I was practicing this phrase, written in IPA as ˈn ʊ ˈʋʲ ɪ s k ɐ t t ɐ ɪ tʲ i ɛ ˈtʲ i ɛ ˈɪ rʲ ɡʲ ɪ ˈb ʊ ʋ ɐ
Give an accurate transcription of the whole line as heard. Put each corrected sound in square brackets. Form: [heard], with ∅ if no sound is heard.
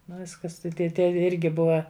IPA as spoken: ˈn ʊ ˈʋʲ ɪ s k ɐ [s] t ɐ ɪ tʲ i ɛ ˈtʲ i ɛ ˈɪ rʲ ɡʲ ɪ ˈb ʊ ʋ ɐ